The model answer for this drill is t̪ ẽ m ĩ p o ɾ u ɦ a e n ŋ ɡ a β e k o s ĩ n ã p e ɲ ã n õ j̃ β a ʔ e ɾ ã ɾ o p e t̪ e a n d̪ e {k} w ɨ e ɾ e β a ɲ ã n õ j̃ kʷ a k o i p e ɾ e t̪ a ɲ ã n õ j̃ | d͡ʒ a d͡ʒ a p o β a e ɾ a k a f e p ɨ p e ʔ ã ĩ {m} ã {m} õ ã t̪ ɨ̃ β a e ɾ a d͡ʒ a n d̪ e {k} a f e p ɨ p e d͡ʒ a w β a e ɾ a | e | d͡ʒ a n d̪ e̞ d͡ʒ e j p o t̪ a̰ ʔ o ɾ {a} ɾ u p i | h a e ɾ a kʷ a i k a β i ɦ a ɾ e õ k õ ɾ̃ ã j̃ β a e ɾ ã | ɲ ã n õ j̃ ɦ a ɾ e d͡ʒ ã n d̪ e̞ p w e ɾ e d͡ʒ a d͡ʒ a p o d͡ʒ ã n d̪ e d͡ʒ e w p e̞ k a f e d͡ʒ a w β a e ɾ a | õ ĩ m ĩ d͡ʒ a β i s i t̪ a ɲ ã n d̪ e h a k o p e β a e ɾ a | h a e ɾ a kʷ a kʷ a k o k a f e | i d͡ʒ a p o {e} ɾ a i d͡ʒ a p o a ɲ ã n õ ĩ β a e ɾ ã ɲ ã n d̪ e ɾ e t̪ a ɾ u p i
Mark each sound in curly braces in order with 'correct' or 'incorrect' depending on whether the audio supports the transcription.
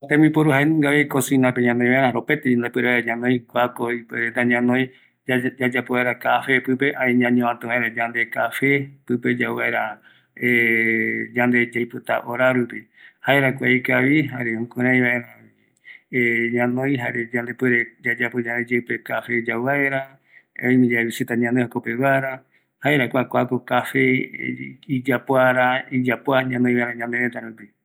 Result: incorrect, incorrect, incorrect, correct, correct, incorrect

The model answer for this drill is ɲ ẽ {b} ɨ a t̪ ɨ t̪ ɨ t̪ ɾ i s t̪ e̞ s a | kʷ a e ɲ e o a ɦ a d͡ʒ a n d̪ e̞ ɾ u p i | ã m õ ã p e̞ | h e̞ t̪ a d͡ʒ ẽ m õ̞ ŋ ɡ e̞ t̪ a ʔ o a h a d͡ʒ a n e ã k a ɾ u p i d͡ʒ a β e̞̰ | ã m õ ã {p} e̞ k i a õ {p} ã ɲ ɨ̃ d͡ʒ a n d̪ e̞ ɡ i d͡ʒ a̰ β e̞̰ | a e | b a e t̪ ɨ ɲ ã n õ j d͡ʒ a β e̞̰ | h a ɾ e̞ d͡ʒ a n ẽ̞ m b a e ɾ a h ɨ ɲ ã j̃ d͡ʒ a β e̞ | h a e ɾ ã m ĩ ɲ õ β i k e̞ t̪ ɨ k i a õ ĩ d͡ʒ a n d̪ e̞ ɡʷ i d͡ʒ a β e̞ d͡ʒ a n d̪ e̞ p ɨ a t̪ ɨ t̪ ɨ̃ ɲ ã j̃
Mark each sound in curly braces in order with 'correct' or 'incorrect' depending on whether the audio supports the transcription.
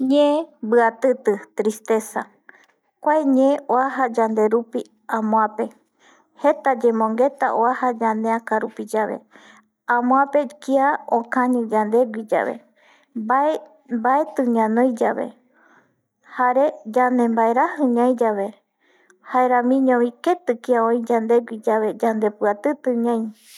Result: correct, correct, incorrect

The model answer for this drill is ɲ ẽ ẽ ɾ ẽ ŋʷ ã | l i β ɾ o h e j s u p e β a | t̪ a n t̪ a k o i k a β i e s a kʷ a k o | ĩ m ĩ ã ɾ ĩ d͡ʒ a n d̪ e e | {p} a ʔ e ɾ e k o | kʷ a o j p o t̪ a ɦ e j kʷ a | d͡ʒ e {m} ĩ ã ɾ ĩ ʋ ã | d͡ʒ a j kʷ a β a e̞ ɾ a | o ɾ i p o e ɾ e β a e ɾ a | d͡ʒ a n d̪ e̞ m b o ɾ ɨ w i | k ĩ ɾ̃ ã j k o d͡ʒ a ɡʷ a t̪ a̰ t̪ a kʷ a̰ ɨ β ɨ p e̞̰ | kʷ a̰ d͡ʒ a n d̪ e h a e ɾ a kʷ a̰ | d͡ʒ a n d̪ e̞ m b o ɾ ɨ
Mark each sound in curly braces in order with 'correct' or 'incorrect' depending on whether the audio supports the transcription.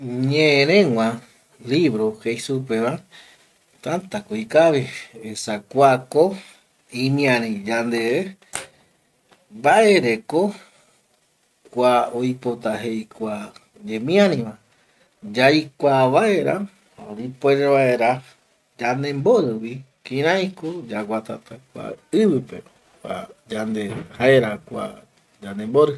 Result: incorrect, correct

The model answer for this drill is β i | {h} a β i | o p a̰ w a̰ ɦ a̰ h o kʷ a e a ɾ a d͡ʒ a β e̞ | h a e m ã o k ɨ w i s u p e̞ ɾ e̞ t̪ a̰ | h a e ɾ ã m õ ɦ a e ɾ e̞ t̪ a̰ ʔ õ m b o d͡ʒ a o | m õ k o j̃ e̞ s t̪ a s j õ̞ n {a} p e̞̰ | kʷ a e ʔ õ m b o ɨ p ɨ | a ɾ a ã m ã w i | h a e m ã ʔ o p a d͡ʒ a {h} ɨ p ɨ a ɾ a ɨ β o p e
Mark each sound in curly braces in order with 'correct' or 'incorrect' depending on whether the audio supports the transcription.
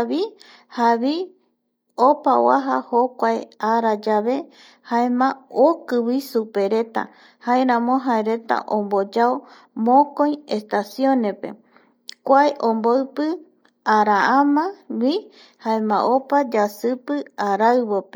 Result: correct, incorrect, incorrect

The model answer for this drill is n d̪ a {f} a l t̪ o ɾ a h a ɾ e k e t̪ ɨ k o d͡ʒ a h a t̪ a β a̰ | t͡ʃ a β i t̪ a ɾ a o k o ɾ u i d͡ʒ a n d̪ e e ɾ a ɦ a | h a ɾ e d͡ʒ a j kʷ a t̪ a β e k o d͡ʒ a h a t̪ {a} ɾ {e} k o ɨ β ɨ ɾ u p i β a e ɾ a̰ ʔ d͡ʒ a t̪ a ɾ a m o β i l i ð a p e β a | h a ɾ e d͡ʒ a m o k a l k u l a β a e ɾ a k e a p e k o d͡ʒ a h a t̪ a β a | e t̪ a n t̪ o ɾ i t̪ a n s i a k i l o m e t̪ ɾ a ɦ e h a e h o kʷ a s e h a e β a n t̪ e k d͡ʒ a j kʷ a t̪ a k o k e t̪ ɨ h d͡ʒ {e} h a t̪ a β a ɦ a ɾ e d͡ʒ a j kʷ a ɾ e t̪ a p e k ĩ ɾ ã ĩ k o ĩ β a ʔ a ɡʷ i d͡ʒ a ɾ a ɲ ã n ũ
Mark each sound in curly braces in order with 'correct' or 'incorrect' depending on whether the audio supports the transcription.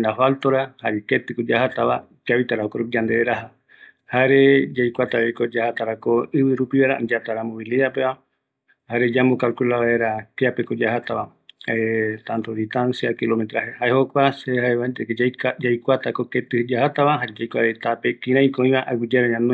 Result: correct, correct, incorrect, incorrect

